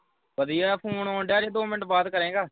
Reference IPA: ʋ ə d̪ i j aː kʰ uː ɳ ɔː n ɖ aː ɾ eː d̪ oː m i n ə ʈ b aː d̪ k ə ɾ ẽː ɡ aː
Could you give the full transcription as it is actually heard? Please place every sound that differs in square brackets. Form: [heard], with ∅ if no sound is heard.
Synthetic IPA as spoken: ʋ ə d̪ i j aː [pʰ] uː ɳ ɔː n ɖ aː ɾ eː d̪ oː m [ɪ] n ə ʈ b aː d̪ k ə ɾ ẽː ɡ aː